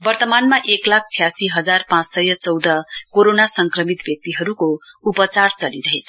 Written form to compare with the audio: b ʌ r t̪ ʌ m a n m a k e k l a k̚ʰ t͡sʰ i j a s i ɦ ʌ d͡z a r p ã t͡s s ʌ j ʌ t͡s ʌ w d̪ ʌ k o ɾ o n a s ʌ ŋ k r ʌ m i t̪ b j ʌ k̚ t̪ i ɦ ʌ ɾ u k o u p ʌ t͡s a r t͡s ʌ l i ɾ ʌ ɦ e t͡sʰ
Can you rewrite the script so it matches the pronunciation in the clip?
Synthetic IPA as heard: b ʌ r t̪ ʌ m a n m a ʔ e k l a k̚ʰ t͡sʰ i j a s i ɦ ʌ d͡z a r p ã t͡s s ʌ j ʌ t͡s ʌ w d̪ ʌ k o ɾ o n a s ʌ ŋ k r ʌ m i t̪ b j ʌ k̚ t̪ i ɦ ʌ ɾ u k o u p ʌ t͡s a r t͡s ʌ l i ɾ ʌ ɦ e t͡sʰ